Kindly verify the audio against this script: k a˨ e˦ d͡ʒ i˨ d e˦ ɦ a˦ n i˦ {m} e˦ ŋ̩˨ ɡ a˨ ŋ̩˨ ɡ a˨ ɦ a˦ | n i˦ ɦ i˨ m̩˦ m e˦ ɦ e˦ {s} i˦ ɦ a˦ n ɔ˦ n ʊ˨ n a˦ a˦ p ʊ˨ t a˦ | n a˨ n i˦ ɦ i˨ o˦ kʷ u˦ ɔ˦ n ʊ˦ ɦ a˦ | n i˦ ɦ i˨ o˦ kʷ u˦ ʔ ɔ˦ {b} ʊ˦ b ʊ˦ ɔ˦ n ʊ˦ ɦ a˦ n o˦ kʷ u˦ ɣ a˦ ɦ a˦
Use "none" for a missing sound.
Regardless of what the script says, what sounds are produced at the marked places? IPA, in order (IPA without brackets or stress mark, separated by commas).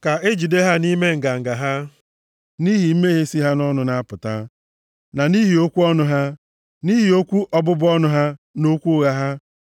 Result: m, s, b